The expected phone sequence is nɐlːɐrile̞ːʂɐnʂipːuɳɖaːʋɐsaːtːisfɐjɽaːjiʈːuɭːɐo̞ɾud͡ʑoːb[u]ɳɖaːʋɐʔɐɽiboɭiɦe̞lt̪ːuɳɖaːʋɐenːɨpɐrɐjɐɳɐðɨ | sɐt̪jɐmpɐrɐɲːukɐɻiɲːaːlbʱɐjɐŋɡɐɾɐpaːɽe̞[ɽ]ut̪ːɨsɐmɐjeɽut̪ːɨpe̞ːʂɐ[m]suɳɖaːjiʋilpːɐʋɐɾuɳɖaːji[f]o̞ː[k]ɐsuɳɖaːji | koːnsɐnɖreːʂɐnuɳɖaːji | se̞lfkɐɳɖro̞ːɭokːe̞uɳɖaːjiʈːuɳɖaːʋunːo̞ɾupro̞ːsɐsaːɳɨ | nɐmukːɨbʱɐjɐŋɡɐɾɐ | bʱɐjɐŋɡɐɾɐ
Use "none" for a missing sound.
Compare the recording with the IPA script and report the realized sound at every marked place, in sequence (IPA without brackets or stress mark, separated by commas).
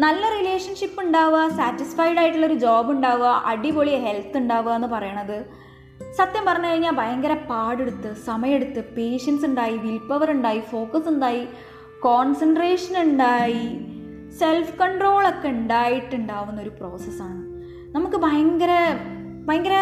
u, ɽ, n, f, k